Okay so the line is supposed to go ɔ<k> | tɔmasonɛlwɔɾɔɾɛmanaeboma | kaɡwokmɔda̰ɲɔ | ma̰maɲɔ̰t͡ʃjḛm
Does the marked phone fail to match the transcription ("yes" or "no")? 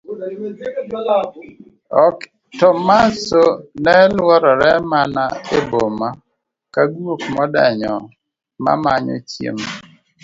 no